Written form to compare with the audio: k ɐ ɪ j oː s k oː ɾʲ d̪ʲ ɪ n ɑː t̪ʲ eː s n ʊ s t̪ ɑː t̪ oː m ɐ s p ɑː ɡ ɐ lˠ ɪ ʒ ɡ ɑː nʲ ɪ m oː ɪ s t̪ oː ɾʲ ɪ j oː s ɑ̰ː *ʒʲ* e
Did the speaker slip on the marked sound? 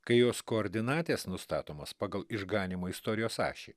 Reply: yes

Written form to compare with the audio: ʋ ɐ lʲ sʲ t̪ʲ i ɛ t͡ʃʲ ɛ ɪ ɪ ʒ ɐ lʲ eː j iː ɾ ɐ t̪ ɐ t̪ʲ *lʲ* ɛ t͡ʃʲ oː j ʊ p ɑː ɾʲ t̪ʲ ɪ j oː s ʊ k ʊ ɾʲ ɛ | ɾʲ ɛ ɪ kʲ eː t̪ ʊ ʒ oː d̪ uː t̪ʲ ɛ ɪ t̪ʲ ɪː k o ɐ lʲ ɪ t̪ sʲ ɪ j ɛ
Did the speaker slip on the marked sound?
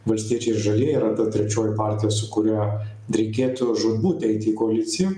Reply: yes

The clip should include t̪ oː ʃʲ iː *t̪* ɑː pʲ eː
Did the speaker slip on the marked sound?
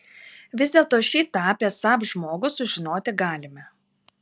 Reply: no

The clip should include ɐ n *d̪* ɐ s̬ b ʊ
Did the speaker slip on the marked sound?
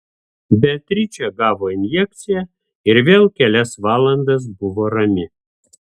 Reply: no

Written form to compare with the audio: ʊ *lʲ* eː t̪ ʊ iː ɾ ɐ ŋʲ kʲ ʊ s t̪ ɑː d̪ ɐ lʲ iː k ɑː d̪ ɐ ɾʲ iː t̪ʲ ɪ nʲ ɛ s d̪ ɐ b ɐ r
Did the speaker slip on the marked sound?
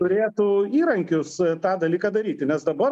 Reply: yes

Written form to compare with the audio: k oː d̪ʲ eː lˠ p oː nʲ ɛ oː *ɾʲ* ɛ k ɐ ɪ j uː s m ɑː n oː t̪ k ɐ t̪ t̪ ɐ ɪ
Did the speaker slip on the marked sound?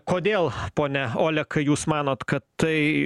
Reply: yes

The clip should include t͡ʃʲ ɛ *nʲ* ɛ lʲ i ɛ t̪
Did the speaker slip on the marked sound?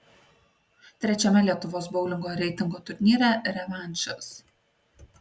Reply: yes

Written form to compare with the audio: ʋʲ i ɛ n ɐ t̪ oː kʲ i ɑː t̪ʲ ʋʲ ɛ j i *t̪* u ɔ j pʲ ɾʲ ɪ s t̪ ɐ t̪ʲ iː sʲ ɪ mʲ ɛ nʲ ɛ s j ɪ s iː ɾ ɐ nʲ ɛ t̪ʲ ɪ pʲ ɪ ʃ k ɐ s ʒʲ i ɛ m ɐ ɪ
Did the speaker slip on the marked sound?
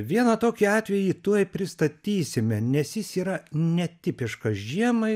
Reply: no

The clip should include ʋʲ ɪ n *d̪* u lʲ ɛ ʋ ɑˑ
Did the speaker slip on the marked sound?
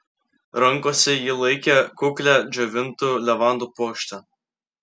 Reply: yes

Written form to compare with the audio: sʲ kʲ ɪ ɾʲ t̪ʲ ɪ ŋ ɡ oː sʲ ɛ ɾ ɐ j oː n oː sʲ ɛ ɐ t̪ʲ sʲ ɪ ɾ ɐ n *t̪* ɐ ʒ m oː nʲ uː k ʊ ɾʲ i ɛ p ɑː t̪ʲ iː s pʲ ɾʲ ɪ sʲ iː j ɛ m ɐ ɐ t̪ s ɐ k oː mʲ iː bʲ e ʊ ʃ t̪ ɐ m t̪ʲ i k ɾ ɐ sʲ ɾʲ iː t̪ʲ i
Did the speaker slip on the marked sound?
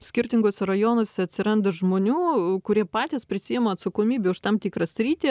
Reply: yes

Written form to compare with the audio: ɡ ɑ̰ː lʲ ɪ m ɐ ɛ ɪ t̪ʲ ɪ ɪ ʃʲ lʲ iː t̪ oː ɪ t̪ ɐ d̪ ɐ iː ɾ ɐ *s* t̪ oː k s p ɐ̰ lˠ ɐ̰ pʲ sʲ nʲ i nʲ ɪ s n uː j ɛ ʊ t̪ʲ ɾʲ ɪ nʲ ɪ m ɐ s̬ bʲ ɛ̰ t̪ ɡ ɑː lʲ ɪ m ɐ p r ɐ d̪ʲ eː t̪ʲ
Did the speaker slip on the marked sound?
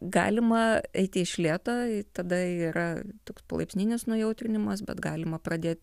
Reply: yes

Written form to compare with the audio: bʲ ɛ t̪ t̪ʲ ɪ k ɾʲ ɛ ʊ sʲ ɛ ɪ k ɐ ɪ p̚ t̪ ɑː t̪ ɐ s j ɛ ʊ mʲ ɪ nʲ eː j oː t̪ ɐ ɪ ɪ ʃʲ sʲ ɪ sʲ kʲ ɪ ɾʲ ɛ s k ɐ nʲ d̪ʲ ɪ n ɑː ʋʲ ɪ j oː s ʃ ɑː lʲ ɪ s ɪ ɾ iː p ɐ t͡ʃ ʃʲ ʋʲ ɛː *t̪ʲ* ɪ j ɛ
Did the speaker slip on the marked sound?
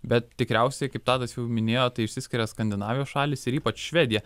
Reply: yes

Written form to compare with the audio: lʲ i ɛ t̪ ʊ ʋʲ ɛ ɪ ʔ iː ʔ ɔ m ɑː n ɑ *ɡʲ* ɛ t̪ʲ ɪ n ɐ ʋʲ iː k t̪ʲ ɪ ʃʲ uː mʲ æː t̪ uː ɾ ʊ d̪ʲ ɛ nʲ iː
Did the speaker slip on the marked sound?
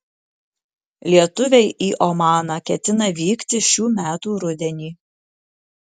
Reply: yes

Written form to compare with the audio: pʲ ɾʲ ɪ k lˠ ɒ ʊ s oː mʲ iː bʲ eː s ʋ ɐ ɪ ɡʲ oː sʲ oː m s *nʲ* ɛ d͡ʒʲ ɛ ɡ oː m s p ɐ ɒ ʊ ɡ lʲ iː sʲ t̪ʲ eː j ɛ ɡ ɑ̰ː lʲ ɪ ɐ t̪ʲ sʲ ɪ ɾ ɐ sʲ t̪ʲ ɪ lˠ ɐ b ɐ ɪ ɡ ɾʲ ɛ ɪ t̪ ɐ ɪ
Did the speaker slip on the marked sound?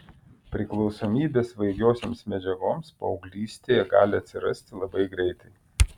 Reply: yes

